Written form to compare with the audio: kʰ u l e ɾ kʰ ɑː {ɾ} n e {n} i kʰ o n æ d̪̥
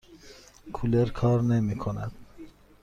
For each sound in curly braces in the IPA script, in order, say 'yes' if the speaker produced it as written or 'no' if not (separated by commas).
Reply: yes, no